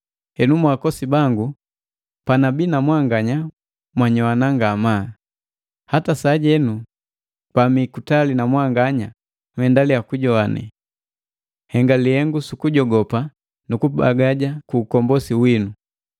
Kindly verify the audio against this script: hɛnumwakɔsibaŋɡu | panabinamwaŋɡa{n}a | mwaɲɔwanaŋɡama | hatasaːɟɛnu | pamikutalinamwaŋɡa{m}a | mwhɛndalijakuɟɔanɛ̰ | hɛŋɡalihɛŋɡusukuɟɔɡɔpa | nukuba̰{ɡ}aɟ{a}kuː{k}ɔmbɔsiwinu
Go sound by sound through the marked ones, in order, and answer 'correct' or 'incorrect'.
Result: incorrect: ɲ, incorrect: ɲ, correct, correct, correct

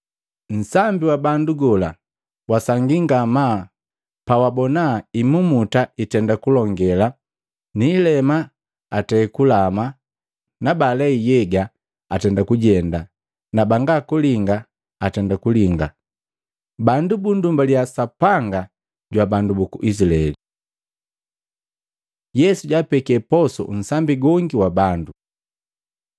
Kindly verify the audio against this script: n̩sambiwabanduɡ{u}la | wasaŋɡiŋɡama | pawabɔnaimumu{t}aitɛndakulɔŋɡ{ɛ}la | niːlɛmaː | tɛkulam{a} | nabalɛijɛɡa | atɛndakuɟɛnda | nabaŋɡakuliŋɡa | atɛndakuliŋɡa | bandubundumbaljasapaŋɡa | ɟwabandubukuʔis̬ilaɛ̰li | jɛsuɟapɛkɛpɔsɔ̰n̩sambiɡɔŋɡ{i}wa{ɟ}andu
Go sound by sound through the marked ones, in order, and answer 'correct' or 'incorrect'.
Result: incorrect: ɔ, correct, correct, correct, correct, incorrect: b

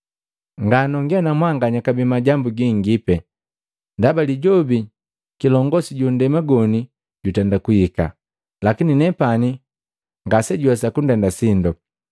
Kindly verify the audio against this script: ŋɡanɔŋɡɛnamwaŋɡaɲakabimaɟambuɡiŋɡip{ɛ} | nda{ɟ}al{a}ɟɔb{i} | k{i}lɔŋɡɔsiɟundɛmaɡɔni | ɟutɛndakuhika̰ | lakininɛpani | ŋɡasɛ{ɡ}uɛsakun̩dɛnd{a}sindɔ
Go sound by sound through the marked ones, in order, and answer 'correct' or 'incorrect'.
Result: correct, incorrect: b, incorrect: i, correct, correct, incorrect: ɟ, correct

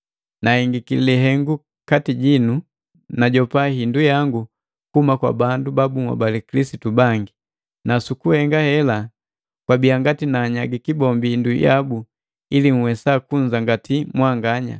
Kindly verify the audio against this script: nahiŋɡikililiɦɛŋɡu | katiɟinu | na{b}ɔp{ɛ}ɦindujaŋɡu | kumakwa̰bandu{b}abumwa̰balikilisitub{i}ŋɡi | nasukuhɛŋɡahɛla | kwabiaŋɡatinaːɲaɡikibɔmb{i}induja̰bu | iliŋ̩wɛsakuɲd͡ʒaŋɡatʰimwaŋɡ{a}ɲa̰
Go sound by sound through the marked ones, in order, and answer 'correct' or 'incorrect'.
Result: incorrect: ɟ, incorrect: a, correct, incorrect: a, correct, correct

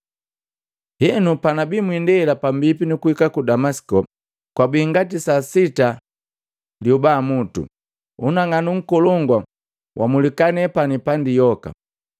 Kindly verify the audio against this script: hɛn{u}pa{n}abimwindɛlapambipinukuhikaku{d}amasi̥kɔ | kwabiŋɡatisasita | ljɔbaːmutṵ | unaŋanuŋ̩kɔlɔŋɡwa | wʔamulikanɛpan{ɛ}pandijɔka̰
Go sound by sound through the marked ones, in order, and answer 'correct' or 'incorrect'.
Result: correct, correct, correct, incorrect: i

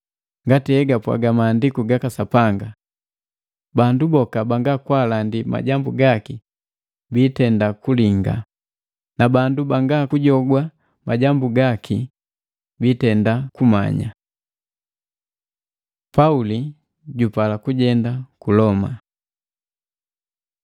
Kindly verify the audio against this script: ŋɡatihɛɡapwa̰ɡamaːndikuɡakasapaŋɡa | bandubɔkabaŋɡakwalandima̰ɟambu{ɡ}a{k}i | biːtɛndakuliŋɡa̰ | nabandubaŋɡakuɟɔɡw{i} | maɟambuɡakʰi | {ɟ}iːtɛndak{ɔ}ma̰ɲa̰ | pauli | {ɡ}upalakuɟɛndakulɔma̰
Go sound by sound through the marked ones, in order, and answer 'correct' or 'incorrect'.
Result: correct, correct, incorrect: a, incorrect: b, incorrect: u, incorrect: ɟ

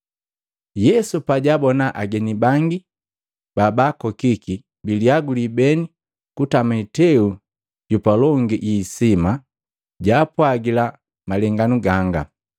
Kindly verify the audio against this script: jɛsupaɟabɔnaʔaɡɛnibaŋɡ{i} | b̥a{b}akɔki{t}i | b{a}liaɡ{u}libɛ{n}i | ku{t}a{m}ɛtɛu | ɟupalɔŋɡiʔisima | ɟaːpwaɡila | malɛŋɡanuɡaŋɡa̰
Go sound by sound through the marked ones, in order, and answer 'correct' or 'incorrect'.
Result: correct, correct, incorrect: k, incorrect: i, correct, correct, correct, correct

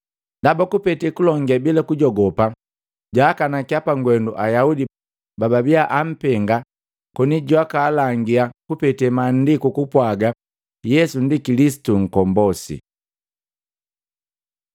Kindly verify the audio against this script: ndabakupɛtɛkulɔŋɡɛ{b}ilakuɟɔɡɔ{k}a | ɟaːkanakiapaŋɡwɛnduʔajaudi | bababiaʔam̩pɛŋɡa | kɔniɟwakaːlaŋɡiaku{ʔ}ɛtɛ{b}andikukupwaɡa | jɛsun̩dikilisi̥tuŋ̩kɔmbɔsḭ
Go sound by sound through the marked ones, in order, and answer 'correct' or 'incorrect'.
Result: correct, incorrect: p, incorrect: p, incorrect: m

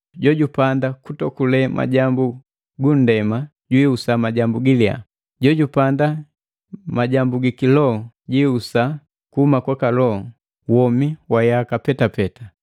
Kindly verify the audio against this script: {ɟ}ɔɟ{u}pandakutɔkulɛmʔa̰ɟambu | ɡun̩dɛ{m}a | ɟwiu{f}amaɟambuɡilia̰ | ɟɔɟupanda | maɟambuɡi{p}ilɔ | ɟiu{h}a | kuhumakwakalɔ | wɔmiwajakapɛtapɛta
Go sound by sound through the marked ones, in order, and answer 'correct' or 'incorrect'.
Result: correct, correct, correct, incorrect: s, incorrect: k, incorrect: s

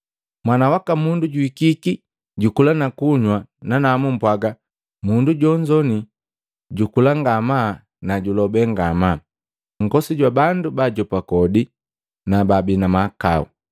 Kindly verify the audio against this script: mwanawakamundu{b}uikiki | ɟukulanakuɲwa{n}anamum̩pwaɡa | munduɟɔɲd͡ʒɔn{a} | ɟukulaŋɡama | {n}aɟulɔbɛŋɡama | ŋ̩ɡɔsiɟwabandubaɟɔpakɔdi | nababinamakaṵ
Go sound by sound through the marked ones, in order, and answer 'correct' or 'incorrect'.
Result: incorrect: ɟ, correct, incorrect: i, correct

